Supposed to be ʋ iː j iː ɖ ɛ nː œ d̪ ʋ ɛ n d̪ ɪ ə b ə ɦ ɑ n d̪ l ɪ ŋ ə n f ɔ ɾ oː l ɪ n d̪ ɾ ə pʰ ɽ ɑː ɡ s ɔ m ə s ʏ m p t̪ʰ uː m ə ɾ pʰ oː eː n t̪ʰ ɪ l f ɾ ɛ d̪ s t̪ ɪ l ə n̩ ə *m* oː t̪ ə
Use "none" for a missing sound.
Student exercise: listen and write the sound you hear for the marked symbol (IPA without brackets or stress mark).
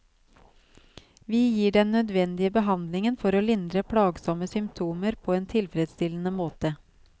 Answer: m